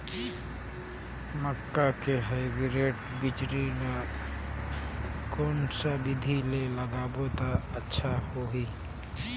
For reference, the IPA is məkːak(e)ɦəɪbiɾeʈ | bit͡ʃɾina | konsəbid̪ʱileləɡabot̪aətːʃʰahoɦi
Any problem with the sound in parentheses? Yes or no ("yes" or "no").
no